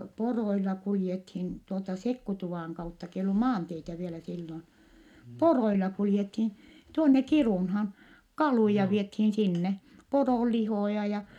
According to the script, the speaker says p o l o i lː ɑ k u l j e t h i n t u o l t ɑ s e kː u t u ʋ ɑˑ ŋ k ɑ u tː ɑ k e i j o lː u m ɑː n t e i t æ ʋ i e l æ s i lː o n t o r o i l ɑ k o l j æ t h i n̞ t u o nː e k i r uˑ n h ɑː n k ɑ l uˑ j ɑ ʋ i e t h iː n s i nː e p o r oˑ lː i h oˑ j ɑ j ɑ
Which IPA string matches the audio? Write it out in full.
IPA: p o r o i lː ɑ k u l j e t h i n t u o l t ɑ s e kː u t u ʋ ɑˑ ŋ k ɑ u tː ɑ k e i j o lː u m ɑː n t e i t æ ʋ i e l æ s i lː o n p o r o i l ɑ k u l j e t h i n̞ t u o nː e k i r uˑ n h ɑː n k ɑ l uˑ j ɑ ʋ i e t h iː n s i nː e p o r oˑ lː i h oˑ j ɑ j ɑ